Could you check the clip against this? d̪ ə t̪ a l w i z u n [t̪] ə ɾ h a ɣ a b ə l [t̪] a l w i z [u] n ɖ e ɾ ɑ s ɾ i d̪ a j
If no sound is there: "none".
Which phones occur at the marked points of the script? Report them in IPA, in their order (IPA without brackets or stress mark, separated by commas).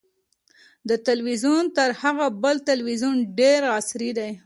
t̪, t̪, u